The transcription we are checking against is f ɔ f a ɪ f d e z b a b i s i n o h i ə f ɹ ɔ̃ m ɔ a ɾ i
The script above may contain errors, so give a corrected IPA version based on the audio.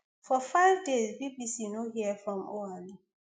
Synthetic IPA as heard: f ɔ f a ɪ v d e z b i b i s i n o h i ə f ɹ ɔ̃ m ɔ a l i